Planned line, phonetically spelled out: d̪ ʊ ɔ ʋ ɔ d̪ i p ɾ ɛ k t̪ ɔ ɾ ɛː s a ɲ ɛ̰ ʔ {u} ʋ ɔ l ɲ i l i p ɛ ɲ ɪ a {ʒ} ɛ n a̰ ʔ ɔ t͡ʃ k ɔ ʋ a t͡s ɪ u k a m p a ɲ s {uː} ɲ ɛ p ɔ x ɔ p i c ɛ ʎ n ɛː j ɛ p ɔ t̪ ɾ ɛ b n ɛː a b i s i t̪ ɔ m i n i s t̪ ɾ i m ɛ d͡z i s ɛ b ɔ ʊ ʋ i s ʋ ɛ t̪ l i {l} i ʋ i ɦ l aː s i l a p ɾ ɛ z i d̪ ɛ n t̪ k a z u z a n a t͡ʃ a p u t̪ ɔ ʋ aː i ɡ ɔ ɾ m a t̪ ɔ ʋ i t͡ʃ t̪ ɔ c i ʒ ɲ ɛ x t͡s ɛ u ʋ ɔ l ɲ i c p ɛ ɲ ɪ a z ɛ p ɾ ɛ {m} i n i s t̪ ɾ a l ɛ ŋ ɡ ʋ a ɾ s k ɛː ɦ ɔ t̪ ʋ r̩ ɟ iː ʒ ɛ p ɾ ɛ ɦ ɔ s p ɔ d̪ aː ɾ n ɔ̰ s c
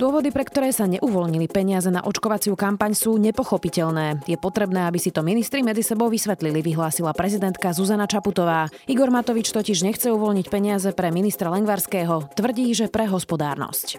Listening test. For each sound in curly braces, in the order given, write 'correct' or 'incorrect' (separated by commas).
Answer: correct, incorrect, correct, correct, correct